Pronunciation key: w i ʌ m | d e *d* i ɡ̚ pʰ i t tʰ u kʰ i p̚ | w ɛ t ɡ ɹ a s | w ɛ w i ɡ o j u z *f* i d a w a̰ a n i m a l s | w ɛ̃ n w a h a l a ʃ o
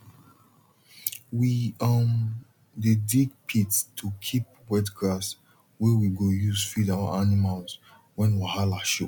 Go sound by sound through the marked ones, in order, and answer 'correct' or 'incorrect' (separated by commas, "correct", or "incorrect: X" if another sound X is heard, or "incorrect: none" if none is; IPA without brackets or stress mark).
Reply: correct, correct